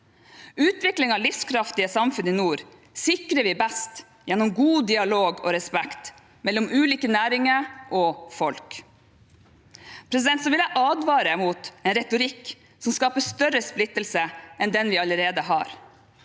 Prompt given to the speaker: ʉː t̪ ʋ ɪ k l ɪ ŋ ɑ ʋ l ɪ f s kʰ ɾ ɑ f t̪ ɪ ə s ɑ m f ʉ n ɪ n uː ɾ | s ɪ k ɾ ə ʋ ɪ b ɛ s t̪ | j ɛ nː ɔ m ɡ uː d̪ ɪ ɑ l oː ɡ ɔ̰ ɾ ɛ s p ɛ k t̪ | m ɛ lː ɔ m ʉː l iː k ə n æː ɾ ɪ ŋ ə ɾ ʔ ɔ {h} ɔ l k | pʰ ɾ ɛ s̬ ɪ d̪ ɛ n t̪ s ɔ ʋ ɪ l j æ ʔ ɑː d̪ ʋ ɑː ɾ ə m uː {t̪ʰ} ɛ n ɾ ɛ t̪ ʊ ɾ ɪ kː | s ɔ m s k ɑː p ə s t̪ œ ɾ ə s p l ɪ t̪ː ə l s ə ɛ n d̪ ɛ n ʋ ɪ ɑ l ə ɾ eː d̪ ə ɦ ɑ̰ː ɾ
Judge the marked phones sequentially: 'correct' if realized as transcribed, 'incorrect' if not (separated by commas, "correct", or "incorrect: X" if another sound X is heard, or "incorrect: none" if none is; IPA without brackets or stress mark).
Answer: incorrect: f, incorrect: t̪